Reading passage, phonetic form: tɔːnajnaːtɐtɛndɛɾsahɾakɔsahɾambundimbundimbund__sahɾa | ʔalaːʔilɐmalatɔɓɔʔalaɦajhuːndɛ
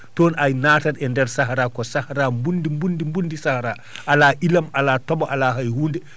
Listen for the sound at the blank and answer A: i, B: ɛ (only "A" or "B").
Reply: A